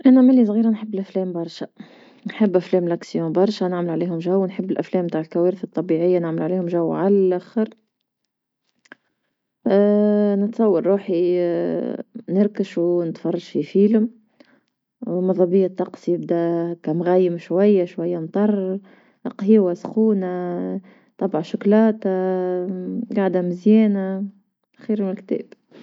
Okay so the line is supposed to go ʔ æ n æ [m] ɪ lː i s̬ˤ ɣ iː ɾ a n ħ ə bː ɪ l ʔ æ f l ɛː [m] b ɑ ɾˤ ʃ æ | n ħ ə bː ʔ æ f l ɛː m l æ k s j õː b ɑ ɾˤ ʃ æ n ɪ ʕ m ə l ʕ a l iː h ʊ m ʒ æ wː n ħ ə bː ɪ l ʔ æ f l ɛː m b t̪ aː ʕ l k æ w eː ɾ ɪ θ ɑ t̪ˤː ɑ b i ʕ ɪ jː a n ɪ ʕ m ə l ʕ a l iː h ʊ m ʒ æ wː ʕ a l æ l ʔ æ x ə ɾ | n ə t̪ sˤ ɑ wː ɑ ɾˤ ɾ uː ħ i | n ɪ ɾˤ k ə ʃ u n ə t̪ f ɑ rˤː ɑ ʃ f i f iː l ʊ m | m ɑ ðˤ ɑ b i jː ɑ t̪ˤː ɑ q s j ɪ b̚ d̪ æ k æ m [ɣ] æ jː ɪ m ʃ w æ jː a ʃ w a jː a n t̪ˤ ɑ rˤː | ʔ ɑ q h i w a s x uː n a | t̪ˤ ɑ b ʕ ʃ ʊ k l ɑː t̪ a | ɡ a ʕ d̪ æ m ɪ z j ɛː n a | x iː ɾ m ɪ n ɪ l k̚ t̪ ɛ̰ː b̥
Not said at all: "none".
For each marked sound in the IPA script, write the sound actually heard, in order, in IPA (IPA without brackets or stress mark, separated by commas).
m, m, ɣ